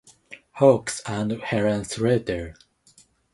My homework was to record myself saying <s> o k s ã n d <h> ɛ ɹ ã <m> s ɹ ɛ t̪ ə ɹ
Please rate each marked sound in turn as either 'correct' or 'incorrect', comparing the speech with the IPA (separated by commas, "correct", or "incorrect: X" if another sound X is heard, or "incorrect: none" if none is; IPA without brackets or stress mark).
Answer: incorrect: h, correct, incorrect: n